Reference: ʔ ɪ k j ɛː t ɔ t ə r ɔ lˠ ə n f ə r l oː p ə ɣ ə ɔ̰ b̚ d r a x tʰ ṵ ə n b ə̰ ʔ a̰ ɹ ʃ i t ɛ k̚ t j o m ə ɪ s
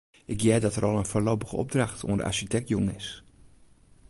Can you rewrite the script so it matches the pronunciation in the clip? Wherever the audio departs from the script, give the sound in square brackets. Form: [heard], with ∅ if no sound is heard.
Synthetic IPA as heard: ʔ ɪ k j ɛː [d] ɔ t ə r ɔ lˠ ə n f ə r l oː p ə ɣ ə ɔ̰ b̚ d r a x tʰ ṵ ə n [d] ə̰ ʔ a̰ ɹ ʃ i t ɛ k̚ t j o [ŋ] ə ɪ s

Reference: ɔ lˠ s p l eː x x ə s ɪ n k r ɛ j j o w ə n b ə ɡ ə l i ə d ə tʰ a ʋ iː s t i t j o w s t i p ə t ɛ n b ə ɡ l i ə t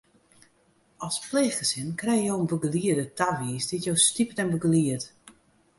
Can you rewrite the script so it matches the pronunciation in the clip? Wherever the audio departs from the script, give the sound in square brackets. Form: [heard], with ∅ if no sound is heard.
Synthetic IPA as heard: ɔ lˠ s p l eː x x ə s ɪ n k r ɛ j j o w ə n b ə ɡ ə l i ə d ə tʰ a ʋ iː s [d] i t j o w s t i p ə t ɛ n b ə ɡ l i ə t

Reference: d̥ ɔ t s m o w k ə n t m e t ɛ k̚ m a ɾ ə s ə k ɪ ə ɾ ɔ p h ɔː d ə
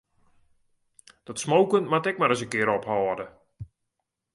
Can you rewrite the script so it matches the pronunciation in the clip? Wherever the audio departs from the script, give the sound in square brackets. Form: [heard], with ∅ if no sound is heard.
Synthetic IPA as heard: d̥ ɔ t s m o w k ə n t m [a] t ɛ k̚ m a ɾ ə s ə k ɪ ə ɾ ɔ p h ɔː d ə

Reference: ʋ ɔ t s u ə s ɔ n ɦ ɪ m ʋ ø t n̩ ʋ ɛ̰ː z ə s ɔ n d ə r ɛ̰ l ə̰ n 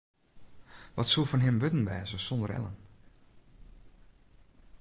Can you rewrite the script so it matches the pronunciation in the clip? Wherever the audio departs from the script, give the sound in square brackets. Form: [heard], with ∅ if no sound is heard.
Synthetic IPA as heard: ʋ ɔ t s u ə [f] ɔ n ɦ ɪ m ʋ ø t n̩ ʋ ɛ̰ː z ə s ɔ n d ə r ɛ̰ l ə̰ n

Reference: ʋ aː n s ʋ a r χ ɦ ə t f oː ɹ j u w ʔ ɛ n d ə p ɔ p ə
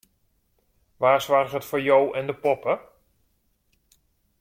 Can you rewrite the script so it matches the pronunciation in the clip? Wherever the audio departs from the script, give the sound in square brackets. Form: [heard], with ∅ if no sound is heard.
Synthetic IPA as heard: ʋ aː [∅] s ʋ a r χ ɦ ə t f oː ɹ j [o] w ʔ ɛ n d ə p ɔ p ə

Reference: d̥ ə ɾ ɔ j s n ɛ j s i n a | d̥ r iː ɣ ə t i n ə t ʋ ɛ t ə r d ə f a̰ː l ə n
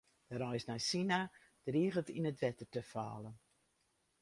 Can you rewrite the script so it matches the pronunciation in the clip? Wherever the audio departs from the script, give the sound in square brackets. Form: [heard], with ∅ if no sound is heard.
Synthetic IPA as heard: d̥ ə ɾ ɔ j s n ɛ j s i n a | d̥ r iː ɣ ə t i n ə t ʋ ɛ t ə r [t] ə f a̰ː l ə n

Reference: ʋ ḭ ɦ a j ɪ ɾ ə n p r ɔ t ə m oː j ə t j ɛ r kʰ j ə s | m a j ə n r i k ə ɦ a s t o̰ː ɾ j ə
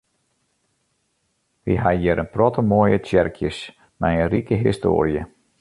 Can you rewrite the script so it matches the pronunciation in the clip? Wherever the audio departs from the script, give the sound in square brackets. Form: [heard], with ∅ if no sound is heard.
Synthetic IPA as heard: ʋ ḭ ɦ a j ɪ ɾ ə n p r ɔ t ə m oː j ə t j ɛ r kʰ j ə s | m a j ə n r i k ə ɦ [i] s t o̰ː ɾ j ə

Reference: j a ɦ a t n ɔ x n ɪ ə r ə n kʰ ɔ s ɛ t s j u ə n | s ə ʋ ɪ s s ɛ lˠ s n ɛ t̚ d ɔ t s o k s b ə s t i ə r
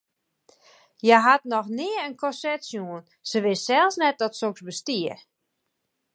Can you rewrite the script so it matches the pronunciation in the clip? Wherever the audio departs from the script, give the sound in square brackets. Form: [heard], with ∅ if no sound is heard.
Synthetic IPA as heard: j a ɦ a t n ɔ x n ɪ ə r ə n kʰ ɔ s ɛ t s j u ə n | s ə ʋ ɪ s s ɛ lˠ s n ɛ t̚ d ɔ t s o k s b ə s t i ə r

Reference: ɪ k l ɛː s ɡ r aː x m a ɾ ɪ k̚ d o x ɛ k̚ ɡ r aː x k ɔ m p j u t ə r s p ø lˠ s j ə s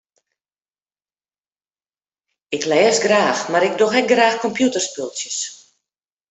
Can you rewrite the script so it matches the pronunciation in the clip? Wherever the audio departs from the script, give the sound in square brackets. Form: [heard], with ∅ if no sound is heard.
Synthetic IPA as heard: ɪ k l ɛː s ɡ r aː x m a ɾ ɪ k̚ d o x ɛ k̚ ɡ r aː x k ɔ m p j u t ə r s p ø lˠ s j ə s

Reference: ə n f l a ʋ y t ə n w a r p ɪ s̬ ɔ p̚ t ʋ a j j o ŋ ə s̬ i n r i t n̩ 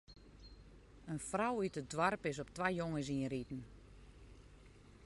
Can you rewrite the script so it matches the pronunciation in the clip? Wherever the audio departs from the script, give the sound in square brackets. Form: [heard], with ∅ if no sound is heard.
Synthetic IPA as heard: ə n f [r] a [w] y t ə [d] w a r p ɪ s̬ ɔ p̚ t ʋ a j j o ŋ ə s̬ i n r i t n̩

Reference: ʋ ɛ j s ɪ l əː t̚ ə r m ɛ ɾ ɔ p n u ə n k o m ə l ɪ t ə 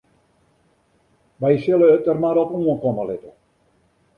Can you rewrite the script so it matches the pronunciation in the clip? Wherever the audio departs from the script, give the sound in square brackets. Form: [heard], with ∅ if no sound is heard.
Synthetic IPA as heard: ʋ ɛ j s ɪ l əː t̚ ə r m [a] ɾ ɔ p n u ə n k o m ə l ɪ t ə

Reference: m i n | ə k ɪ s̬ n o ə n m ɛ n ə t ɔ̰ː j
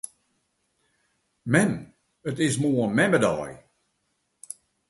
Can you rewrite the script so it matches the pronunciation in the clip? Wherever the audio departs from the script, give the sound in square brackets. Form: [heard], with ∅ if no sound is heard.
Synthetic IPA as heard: m [ɛ] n | ə [t] ɪ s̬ [m] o ə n m ɛ [m] ə [d] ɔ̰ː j

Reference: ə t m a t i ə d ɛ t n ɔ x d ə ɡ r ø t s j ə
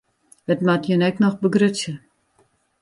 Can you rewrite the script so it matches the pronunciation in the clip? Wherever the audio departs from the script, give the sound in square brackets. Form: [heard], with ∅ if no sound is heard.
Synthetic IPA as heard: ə t m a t [j] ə [n] ɛ [k] n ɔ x [b] ə ɡ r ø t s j ə

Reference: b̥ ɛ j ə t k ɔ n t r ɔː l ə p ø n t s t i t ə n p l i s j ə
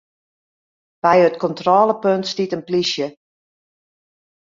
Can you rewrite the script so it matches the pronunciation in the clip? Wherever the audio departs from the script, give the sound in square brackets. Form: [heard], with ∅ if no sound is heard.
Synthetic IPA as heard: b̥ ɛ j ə t k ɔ n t r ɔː l ə p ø n t s t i t ə n p l i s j ə

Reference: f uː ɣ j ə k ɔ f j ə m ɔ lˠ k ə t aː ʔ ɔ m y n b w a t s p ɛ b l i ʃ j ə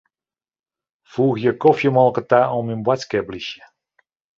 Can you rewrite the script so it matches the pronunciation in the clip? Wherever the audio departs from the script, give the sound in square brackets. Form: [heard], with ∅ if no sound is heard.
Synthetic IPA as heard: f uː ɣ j ə k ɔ f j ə m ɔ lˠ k ə t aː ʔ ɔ m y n b w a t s [k] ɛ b l i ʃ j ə

